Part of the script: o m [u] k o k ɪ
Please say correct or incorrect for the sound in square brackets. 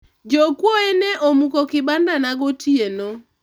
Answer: correct